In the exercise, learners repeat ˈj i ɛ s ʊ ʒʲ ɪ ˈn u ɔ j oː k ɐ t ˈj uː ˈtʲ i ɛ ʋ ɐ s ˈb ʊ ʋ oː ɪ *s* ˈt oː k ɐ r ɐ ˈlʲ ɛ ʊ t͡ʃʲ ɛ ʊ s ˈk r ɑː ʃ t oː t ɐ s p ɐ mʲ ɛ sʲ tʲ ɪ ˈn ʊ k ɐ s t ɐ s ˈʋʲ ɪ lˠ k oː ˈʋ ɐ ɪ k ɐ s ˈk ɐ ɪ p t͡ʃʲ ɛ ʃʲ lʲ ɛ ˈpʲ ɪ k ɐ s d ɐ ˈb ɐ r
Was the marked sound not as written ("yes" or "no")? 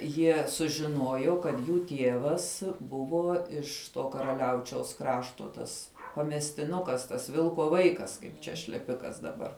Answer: yes